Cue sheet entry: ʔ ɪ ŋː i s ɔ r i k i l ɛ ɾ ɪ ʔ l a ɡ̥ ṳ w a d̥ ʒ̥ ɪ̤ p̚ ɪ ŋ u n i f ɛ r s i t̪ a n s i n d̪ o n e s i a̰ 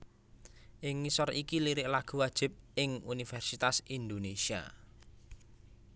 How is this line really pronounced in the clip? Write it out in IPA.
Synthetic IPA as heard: ʔ ɪ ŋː i s ɔ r i k i l i ɾ ɪ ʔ l a ɡ̥ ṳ w a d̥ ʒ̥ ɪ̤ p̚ ɪ ŋ u n i f ɛ r s i t̪ a s i n d̪ o n e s i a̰